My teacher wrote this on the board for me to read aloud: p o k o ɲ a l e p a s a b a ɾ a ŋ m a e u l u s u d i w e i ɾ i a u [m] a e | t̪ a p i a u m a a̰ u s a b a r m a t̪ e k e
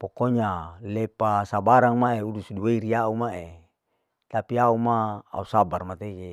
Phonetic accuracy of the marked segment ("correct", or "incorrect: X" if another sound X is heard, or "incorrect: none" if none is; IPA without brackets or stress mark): correct